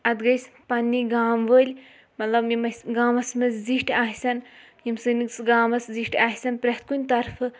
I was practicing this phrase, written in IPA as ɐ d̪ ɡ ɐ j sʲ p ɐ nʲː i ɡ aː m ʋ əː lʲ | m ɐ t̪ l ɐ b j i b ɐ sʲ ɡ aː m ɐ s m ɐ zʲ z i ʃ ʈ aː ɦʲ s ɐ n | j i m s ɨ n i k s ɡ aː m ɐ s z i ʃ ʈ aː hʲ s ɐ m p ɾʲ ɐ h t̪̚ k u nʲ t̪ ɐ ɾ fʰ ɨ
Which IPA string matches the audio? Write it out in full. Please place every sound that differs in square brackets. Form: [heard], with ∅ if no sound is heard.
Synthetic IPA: ɐ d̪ ɡ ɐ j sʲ p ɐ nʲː i ɡ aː m ʋ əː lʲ | m ɐ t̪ l ɐ b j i [m] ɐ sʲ ɡ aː m ɐ s m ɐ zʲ z i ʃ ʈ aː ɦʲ s ɐ n | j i m s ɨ n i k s ɡ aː m ɐ s z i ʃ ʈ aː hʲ s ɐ [n] p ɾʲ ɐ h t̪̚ k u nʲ t̪ ɐ ɾ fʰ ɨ